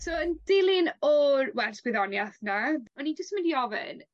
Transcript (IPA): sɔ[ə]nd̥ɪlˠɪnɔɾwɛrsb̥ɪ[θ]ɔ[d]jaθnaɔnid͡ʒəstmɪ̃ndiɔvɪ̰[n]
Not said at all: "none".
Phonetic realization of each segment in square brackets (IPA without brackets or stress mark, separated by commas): ə, ð, n, n